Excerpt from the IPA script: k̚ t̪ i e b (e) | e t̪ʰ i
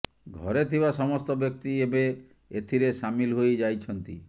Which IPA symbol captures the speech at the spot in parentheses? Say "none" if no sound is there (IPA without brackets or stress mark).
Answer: e